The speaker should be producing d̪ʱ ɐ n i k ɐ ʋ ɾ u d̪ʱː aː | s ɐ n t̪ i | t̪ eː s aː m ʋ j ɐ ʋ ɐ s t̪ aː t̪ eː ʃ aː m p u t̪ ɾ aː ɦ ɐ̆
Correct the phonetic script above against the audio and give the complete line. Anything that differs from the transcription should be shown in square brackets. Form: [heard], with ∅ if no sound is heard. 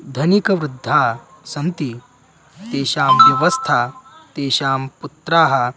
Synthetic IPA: d̪ʱ ɐ n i k ɐ ʋ ɾ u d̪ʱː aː | s ɐ n t̪ i | t̪ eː [ʃ] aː m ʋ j ɐ ʋ ɐ s [t̪ʰ] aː t̪ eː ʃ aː m p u t̪ ɾ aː ɦ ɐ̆